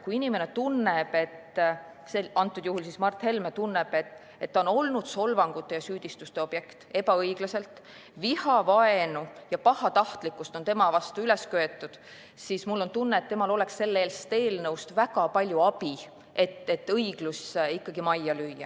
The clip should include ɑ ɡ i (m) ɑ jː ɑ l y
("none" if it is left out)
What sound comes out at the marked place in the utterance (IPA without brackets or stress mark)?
m